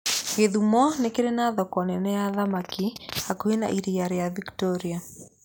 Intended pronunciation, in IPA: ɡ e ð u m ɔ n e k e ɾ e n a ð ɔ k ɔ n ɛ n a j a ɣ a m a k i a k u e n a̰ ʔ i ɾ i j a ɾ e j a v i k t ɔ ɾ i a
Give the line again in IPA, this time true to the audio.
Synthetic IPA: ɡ e ð u m ɔ n e k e ɾ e n a ð ɔ k ɔ n ɛ n ɛ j a ð a m a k i a k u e n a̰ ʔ i ɾ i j a ɾ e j a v i k t ɔ ɾ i a